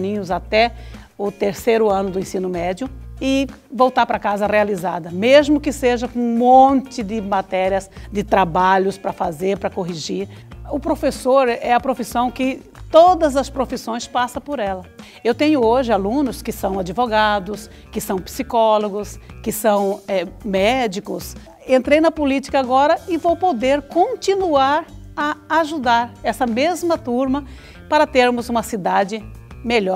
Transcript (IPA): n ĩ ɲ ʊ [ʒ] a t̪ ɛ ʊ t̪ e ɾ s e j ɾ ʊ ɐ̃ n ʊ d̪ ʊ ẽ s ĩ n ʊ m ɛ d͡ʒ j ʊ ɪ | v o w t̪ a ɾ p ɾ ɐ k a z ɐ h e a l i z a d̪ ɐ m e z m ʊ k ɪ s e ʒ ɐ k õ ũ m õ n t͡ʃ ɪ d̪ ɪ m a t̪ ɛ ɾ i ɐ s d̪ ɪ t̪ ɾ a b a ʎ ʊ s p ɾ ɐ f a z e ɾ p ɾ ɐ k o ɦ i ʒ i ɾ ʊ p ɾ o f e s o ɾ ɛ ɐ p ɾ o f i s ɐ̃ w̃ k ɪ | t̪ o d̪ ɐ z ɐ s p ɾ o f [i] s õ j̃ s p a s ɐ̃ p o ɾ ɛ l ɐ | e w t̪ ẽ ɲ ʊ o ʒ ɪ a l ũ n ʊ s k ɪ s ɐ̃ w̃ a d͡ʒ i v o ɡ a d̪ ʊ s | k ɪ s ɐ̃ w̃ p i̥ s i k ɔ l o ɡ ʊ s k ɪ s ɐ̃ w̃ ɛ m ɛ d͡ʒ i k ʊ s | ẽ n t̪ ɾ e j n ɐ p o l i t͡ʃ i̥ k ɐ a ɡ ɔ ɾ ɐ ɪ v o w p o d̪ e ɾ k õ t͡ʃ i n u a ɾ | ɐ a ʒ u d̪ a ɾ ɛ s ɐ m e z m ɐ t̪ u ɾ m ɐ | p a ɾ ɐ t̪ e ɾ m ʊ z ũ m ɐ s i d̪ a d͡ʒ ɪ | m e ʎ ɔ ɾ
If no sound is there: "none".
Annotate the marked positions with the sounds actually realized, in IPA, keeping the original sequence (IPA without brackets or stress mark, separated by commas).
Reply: z, i